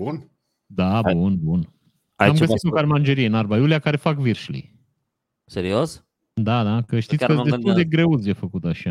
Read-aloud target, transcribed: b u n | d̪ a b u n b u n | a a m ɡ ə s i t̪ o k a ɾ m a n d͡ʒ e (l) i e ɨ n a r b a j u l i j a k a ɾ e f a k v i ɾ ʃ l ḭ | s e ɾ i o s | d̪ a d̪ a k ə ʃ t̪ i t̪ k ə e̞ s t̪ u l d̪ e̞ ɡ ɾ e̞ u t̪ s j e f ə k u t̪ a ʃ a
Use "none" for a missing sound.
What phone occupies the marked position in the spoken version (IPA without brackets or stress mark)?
ɾ